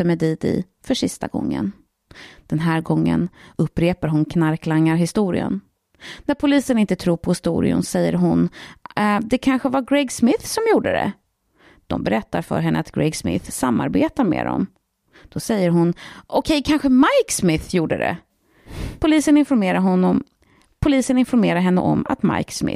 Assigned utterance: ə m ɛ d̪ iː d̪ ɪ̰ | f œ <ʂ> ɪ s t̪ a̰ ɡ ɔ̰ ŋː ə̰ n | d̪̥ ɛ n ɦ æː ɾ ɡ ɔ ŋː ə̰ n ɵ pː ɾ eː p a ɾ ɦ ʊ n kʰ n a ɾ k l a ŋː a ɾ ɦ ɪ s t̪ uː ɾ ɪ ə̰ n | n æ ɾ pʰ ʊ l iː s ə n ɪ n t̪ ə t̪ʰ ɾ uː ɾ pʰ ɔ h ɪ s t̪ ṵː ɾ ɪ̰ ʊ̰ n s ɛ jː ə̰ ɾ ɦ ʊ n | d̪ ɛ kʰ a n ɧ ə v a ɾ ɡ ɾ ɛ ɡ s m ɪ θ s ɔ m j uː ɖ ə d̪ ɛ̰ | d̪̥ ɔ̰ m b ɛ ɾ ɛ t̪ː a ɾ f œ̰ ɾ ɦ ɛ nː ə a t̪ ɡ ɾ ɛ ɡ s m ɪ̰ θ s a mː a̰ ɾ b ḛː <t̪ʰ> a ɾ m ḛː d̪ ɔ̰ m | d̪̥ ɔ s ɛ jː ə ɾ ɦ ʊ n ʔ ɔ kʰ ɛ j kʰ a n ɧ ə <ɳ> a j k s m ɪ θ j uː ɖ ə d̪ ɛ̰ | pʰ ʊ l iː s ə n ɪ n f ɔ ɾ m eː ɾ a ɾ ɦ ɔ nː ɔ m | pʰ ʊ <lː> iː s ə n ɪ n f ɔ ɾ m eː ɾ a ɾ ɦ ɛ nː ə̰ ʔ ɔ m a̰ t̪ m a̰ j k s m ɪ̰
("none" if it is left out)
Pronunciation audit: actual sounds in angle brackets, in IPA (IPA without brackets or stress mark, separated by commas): ʂ, t̪, m, l